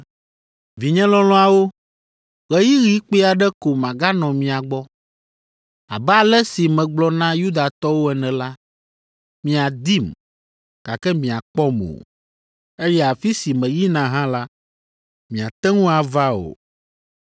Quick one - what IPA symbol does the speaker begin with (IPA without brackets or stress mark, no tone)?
v